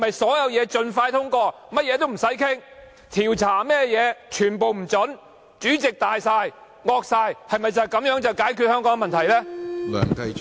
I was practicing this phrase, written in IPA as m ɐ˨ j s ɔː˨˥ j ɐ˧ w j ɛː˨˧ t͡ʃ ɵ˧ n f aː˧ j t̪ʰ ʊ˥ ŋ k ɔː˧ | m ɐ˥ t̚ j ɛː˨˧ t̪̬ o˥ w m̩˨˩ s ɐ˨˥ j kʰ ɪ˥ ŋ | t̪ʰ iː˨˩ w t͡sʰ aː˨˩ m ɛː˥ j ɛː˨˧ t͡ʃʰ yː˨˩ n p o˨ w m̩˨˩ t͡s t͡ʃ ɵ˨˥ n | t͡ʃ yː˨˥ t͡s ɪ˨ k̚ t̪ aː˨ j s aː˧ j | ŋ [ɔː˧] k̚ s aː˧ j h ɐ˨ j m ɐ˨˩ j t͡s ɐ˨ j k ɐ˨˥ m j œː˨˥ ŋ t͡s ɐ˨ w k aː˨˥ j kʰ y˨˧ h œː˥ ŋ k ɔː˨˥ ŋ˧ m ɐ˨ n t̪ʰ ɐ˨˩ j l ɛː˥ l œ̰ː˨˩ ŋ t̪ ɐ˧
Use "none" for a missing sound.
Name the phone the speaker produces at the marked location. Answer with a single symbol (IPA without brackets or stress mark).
ɔː˧